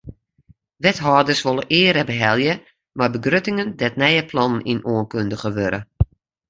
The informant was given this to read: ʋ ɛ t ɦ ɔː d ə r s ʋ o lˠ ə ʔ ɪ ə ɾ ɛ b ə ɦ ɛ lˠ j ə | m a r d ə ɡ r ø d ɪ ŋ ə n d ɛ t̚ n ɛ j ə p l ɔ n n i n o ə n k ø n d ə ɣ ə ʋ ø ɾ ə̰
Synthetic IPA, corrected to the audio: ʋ ɛ t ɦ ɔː d ə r s ʋ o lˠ ə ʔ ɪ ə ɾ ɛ b ə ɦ ɛ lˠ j ə | m a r b ə ɡ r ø t ɪ ŋ ə n d ɛ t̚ n ɛ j ə p l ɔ n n i n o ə n k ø n d ə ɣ ə ʋ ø ɾ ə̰